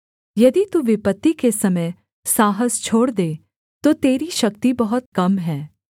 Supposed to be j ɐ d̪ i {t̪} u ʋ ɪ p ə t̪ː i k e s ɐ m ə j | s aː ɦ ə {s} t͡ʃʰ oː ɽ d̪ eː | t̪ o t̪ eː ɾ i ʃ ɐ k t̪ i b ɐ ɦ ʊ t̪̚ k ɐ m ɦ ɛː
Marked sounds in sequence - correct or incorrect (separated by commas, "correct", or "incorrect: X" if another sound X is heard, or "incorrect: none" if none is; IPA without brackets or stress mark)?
correct, correct